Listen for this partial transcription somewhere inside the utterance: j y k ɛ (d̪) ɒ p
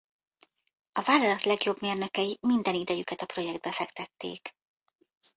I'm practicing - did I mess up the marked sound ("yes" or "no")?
yes